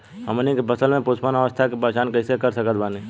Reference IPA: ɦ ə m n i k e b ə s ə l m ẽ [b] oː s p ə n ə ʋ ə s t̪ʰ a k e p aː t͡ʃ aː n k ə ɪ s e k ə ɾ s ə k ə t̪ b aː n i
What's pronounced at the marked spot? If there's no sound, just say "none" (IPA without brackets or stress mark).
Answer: p